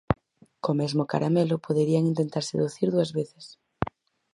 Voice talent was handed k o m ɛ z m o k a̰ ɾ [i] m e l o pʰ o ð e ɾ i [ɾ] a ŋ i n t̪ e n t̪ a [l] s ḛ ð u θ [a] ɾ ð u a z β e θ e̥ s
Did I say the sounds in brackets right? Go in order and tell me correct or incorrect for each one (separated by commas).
incorrect, incorrect, incorrect, incorrect